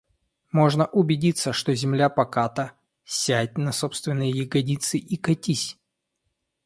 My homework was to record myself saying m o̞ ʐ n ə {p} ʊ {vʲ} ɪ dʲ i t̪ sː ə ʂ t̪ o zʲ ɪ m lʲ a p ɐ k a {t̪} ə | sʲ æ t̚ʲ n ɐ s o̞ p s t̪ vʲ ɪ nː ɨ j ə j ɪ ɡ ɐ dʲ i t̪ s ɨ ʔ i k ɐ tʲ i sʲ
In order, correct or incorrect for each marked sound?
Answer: incorrect, incorrect, correct

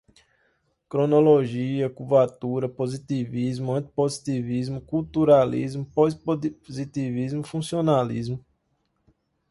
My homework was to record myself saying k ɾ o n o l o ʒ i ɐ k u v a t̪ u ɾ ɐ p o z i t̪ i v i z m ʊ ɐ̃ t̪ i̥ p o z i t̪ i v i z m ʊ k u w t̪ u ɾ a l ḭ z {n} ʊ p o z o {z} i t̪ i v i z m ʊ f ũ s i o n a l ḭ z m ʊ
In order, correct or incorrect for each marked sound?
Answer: incorrect, correct

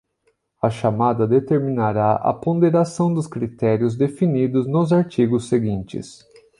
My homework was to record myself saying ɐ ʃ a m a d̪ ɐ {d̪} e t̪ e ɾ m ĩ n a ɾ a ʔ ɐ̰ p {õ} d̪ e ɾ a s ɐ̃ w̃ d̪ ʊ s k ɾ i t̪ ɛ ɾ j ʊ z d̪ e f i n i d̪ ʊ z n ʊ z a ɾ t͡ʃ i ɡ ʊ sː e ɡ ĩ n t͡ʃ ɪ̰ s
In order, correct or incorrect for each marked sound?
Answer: correct, correct

